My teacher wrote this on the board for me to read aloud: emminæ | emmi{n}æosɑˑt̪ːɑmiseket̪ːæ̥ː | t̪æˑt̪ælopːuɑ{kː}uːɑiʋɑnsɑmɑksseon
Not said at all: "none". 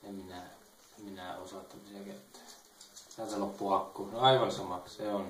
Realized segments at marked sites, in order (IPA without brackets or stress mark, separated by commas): n, kː